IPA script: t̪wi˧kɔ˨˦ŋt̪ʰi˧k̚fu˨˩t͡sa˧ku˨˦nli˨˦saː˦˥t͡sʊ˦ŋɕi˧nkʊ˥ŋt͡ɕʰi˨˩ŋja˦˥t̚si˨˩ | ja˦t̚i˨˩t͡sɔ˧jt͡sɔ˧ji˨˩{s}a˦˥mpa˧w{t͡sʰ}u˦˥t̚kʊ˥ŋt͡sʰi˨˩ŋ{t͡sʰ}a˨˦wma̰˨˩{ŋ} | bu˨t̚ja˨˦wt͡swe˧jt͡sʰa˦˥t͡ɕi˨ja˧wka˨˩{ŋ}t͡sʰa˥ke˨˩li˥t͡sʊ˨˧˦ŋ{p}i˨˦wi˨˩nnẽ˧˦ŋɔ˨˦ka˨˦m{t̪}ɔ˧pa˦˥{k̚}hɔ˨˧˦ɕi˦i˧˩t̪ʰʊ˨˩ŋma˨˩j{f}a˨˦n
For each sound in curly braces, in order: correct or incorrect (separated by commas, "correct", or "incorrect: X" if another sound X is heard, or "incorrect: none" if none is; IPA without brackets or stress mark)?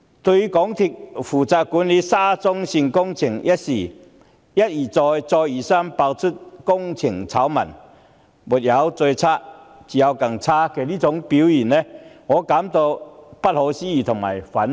correct, correct, correct, incorrect: n, correct, correct, correct, incorrect: t̚, correct